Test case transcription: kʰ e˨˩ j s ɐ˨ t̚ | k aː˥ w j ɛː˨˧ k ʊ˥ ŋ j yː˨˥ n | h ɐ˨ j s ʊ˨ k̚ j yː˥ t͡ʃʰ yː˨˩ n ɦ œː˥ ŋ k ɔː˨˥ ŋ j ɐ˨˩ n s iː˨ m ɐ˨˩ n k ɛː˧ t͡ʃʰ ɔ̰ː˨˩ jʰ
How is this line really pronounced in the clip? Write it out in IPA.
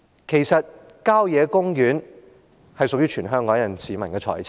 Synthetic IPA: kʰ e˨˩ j s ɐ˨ t̚ | k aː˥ w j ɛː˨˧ k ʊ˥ ŋ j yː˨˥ n | h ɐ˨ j s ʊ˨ k̚ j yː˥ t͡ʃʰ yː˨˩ n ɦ œː˥ ŋ k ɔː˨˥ ŋ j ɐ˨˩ n s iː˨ m ɐ˨˩ n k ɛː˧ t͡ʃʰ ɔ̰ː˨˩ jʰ